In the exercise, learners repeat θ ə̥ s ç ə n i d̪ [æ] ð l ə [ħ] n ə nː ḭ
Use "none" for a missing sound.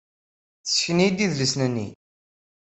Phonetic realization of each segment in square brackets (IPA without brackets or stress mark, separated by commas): i, s